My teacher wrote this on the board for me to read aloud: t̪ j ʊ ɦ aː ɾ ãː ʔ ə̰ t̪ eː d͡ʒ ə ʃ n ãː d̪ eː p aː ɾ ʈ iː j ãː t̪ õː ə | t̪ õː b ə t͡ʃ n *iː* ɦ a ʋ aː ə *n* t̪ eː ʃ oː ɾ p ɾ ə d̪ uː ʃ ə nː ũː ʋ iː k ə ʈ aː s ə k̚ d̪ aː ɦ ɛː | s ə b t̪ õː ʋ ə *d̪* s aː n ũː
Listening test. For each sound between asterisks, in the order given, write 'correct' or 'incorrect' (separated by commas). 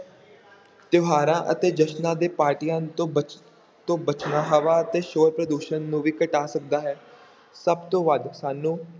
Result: incorrect, incorrect, correct